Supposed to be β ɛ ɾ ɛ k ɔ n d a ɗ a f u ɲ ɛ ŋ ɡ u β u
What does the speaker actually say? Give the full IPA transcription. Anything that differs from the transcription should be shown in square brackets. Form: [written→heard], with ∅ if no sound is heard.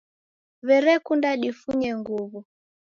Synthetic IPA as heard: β ɛ ɾ ɛ k [ɔ→u] n d a ɗ [a→i] f u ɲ ɛ ŋ ɡ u β u